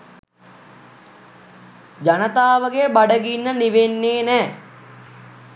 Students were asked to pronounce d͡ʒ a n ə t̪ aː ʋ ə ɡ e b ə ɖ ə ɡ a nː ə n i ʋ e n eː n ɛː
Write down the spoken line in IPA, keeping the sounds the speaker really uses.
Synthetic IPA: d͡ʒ a n ə t̪ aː ʋ ə ɡ e b a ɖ ə ɡ i nː ə n i ʋ e nː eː n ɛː